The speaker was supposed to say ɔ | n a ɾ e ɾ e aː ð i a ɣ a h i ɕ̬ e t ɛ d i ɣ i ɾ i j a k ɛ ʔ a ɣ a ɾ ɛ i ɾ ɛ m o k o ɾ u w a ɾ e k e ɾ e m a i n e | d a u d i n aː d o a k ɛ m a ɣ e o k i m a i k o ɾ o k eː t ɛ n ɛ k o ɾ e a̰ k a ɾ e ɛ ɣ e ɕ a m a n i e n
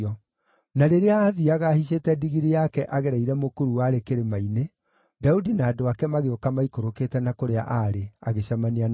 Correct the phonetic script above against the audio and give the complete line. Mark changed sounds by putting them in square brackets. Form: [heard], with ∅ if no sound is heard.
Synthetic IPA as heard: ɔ | n a ɾ e ɾ e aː ð i a ɣ a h i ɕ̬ e t ɛ d i ɣ i ɾ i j a k ɛ ʔ a ɣ [ɛ] ɾ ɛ i ɾ ɛ m o k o ɾ u w a ɾ e k e ɾ e m a i n e | d a u d i n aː d o a k ɛ m a ɣ e o k [a] m a i k o ɾ o k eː t ɛ n [a] k o ɾ e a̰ [ʔ] a ɾ e [a] ɣ e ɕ a m a n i [a] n